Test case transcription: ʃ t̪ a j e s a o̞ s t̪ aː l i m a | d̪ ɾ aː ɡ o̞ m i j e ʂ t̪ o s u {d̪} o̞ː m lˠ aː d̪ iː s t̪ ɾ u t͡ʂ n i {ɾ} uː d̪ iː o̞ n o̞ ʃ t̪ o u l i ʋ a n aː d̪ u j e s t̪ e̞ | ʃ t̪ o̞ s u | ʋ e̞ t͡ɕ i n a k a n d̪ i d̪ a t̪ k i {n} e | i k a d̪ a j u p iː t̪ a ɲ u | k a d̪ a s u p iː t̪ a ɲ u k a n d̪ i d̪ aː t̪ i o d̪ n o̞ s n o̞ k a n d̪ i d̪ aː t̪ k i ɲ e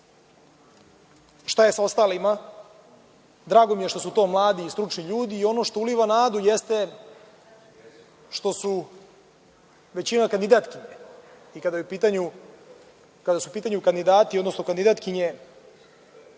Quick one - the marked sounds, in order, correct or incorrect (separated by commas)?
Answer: incorrect, incorrect, incorrect